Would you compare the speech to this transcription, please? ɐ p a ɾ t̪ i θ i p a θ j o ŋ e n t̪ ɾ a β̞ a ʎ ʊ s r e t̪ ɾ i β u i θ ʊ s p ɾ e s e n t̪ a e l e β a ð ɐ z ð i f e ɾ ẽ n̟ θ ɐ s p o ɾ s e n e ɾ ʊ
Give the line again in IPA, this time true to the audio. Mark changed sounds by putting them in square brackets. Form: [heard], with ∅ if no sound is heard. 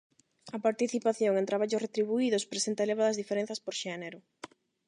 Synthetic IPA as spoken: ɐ p a ɾ t̪ i θ i p a θ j o ŋ e n t̪ ɾ a β̞ a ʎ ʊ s r e t̪ ɾ i β u i [ð] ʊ s p ɾ e s e n t̪ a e l e β a ð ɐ z ð i f e ɾ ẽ n̟ θ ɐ s p o ɾ [ʃ] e n e ɾ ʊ